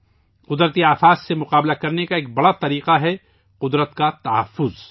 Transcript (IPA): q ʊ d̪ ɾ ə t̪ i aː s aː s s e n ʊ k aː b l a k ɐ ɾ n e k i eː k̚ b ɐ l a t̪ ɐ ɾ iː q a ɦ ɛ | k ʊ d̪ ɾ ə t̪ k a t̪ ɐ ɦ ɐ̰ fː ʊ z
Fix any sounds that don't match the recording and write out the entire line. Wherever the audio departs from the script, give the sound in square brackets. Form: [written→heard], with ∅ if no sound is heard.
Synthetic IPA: q ʊ d̪ ɾ ə t̪ i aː [s→f] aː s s e [n→m] ʊ [k→q] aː b l a k ɐ ɾ n e k [i→a] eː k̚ b ɐ [l→ɽ] a t̪ ɐ ɾ iː q a ɦ ɛ | [k→q] ʊ d̪ ɾ ə t̪ k a t̪ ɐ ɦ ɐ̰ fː ʊ z